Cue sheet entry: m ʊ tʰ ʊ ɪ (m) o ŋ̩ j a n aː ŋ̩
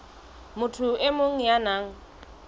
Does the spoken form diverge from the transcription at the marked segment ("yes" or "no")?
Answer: no